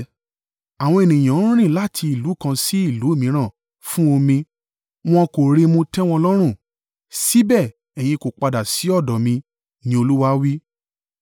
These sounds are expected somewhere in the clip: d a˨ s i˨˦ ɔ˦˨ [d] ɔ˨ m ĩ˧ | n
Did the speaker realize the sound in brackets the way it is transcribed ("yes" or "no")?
yes